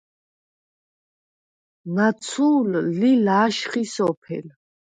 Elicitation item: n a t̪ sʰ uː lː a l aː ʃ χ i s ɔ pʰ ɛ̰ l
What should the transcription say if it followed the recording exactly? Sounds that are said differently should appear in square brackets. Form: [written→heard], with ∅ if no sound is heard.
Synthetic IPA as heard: n a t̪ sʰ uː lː [a→i] l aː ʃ χ i s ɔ pʰ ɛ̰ l